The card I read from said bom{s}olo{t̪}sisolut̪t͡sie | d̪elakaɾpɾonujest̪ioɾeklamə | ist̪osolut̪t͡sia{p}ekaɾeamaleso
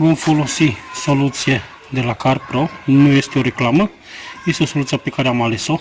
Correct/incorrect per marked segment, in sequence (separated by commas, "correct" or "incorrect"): incorrect, incorrect, correct